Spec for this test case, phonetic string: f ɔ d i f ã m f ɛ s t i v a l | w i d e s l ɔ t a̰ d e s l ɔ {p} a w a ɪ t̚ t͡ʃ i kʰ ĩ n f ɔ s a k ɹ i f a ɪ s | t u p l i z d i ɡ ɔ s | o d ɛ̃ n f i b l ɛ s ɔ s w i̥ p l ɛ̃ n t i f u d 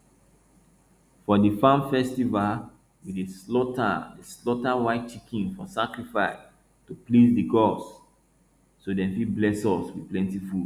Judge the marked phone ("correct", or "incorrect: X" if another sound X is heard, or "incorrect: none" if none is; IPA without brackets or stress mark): incorrect: t